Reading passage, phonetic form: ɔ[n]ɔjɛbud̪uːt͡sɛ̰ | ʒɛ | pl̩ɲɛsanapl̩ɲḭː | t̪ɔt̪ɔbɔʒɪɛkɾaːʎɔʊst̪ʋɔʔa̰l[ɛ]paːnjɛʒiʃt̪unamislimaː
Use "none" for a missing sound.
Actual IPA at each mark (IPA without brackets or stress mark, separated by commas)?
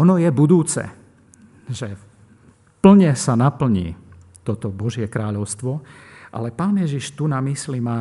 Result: n, ɛ